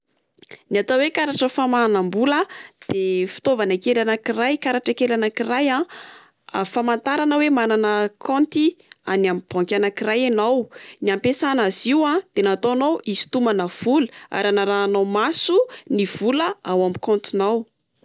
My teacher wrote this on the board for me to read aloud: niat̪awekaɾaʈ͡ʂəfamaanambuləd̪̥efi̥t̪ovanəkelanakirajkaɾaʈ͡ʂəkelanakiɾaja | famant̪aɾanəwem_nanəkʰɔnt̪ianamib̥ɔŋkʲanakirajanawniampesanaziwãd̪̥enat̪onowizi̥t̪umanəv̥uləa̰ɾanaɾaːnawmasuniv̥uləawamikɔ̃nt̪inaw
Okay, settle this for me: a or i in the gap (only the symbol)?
a